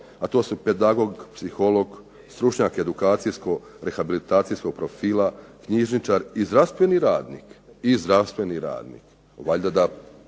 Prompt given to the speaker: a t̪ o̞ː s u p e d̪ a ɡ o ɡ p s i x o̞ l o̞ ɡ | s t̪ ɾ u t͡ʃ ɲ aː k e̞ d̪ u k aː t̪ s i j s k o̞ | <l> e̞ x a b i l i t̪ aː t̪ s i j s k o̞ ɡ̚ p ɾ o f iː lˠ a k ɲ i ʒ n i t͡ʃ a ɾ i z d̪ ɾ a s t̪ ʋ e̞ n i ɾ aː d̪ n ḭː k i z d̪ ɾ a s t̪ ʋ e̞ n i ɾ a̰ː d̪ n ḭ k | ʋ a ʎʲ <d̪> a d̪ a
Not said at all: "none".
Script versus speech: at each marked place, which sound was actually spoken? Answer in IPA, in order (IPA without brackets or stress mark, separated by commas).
ɾ, d̪